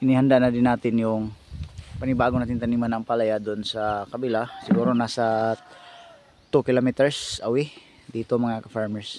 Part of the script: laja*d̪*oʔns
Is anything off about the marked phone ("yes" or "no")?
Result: no